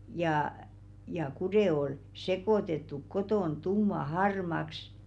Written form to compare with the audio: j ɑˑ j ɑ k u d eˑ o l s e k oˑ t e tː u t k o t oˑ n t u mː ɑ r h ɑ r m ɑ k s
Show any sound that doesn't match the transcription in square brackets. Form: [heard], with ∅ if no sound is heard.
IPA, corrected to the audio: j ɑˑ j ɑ k u d eˑ o l s e k oˑ t e tː u [k] k o t oˑ n t u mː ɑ [∅] h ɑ r m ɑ k s

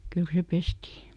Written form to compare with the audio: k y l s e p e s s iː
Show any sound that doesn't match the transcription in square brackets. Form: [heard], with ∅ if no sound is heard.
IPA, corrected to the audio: k y l s e p e s [t] iː

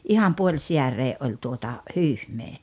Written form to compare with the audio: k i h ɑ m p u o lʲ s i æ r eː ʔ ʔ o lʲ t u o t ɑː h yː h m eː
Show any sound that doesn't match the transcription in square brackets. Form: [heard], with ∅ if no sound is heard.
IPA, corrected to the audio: [ʔ] i h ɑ m p u o lʲ s i æ r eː ʔ ʔ o lʲ t u o t [ɑ] h yː h m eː

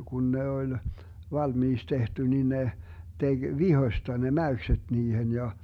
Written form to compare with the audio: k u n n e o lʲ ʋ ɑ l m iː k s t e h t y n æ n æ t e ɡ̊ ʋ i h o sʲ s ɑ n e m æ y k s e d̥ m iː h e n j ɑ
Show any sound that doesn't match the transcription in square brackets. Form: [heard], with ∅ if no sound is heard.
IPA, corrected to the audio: k u n n e o lʲ ʋ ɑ l m iː k s t e h t y n [i] n [e] t e ɡ̊ ʋ i h o sʲ [t] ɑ n e m æ y k s e d̥ [n] iː h e n j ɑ

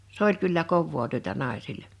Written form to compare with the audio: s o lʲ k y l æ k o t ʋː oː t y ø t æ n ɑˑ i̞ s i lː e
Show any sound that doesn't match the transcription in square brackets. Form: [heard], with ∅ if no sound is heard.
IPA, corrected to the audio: s o lʲ k y [lː] æ k o [∅] ʋː oː t y ø t æ n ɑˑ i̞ s i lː e

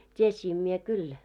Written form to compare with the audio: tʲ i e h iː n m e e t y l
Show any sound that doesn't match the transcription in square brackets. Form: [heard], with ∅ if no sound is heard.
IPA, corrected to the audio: tʲ i e [s] iː [m] m [i] e [k] y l

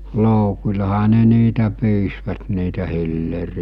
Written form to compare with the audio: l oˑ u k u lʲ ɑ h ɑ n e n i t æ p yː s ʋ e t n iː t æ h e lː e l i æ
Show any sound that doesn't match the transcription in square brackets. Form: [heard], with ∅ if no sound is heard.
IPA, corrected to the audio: l oˑ u k u lʲ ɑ h ɑ n e n [iː] t æ p yː s ʋ [æ] t n iː t æ h [i] lː e [r] i æ

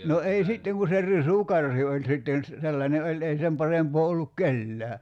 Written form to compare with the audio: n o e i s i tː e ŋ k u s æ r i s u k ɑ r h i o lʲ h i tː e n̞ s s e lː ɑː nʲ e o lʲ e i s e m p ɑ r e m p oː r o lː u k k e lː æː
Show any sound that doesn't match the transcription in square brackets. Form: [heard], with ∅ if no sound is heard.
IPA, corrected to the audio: n o e i s i tː e ŋ k u s [e] r i s u k ɑ r h i o lʲ [s] i tː e n̞ s s e lː [ɑ] nʲ e o lʲ e i s e m p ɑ r e m p oː [∅] o lː u k k e lː æː

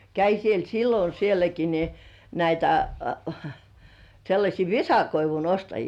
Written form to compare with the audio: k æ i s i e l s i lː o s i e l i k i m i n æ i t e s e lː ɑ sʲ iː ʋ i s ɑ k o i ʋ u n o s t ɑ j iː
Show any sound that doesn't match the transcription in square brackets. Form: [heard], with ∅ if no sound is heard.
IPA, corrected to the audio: k æ i s i e l s i lː o s i e l [æ] k i [n] i n æ i t [æ] s e lː ɑ sʲ iː ʋ i s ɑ k o i ʋ u n o s t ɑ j iː

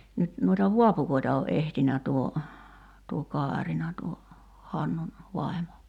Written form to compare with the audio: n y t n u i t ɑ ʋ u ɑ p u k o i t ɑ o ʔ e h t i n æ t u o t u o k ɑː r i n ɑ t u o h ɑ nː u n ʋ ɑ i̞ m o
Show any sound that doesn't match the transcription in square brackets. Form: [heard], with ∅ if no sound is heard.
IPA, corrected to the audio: n y t n u i t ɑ ʋ u ɑ p u k o i t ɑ o ʔ e h t i n æ t u o t u o k ɑː r i n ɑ t u o h ɑ nː u n ʋ ɑ i̞ m o

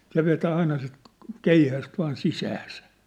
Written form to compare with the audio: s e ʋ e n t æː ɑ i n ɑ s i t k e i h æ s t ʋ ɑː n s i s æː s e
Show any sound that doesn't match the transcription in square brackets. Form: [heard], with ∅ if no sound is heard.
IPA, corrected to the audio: s e ʋ e [∅] t æː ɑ i n ɑ s i t k e i h æ s t ʋ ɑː n s i s æː s [æ]

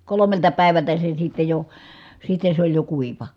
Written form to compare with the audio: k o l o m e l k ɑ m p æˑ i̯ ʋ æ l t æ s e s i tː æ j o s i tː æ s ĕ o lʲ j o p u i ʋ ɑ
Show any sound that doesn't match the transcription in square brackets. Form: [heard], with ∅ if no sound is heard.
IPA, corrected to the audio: k o l o m e l [t] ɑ [∅] p æˑ i̯ ʋ æ l t æ s e s i tː [e] j o s i tː [e] s ĕ o lʲ j o [k] u i ʋ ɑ

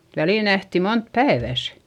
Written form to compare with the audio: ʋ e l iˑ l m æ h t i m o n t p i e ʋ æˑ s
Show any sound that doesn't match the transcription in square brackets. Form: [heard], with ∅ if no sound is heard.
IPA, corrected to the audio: ʋ [æ] l iˑ l [n] æ h t i m o n t p [æ] e ʋ æˑ s

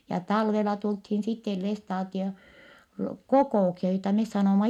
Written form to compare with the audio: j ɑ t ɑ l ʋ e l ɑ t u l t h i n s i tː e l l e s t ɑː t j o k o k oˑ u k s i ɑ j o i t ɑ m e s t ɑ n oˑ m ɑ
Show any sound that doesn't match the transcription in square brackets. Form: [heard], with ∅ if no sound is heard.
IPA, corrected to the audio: j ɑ t ɑ l ʋ e l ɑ t u l t h i n s i tː e l l e s t ɑː t [i] o k o k oˑ u k s i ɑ j o i t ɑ m e s [s] ɑ n oˑ m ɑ

